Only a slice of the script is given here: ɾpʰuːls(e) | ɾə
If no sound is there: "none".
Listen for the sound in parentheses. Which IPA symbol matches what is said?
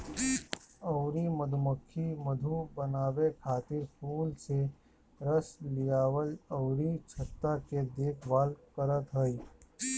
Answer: e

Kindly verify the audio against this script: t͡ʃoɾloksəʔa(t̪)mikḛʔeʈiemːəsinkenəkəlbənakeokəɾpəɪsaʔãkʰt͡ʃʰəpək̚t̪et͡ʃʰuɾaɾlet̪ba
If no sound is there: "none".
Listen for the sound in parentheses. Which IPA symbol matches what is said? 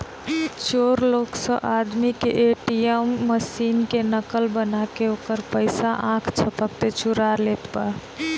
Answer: d̪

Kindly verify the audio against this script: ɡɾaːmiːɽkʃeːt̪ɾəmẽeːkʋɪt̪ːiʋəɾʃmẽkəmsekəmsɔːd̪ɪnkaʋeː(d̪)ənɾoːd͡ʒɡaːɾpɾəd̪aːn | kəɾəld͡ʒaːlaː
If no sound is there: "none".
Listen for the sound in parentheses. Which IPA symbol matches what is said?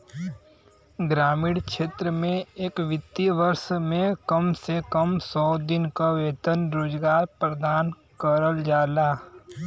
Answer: t̪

